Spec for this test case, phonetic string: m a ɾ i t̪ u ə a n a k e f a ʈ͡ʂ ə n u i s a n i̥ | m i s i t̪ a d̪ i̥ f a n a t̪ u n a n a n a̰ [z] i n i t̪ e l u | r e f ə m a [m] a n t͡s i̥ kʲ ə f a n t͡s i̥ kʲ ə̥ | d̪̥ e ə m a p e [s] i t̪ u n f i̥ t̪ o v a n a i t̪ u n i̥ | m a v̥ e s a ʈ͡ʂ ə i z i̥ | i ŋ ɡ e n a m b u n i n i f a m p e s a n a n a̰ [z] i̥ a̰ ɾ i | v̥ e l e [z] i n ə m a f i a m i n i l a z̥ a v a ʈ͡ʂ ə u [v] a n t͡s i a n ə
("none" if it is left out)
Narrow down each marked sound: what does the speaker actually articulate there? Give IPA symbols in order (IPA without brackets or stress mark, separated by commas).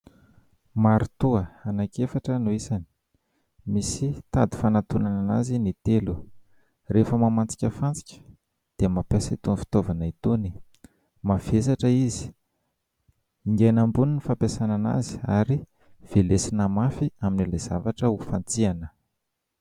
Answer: z, m, s, z, s, f